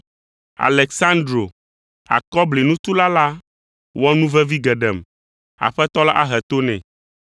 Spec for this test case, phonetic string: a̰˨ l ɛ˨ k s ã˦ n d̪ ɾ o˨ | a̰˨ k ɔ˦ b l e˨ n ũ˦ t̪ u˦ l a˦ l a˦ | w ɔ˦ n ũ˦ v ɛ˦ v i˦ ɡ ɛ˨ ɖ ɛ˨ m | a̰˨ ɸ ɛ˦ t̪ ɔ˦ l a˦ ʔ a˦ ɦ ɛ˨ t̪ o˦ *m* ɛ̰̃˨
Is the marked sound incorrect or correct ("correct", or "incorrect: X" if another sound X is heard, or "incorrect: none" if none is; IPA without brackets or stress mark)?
incorrect: n